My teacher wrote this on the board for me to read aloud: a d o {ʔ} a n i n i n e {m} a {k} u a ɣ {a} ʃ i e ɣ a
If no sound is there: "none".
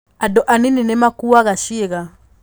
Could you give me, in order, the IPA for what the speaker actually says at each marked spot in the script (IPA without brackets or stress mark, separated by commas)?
ʔ, m, k, a